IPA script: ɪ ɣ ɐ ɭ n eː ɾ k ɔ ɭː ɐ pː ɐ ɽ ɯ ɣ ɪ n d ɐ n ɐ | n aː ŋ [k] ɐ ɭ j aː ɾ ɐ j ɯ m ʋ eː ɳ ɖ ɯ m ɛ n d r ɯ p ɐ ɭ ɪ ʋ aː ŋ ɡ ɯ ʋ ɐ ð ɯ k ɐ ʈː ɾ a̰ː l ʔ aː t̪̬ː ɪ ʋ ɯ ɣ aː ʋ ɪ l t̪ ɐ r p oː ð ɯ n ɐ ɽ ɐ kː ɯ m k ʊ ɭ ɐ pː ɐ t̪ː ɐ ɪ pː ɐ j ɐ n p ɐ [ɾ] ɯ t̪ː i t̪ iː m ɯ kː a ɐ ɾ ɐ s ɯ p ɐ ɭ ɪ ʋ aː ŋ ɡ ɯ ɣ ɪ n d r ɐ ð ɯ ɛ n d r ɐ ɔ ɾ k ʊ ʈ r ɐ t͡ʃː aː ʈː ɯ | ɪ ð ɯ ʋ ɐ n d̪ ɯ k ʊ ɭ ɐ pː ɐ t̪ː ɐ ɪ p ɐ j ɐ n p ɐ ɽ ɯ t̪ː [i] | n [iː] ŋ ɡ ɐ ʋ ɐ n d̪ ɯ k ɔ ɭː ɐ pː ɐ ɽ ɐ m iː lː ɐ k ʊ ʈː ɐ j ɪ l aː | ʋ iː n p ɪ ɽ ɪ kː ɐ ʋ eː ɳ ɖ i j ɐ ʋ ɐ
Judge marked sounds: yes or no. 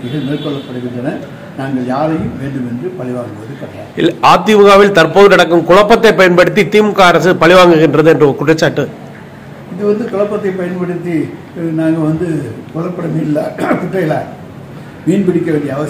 no, no, yes, no

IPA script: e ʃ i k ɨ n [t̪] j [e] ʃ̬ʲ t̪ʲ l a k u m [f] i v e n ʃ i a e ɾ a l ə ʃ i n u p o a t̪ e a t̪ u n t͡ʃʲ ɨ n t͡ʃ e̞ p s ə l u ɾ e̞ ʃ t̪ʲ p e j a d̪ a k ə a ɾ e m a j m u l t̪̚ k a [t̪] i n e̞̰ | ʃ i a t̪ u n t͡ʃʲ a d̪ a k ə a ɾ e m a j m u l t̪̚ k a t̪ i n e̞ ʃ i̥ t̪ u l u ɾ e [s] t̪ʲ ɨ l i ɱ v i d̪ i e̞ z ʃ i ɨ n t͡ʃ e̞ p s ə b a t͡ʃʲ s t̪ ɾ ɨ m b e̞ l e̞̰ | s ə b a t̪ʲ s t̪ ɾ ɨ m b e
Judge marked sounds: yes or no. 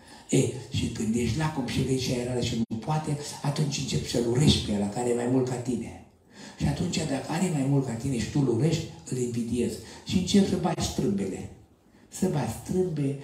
no, yes, no, yes, no

